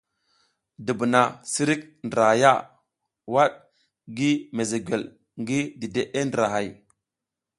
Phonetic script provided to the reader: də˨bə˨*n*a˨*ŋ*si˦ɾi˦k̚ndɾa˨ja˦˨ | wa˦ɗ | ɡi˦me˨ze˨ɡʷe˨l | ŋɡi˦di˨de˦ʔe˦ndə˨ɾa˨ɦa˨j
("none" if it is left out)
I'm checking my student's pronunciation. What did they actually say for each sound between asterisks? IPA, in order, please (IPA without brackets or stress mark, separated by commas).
n, none